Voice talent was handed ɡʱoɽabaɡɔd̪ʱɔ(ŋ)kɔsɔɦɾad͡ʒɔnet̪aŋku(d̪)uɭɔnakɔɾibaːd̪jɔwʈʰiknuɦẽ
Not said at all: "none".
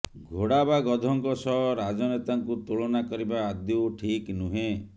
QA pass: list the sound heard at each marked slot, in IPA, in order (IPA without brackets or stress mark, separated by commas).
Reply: ŋ, t̪